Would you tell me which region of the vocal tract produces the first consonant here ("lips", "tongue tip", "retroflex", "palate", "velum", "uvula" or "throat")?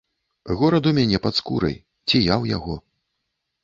velum